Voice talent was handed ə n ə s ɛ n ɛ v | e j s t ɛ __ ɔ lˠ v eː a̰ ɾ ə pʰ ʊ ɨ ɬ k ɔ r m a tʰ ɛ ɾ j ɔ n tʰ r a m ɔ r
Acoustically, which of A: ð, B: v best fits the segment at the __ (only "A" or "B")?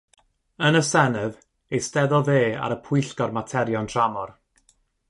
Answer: A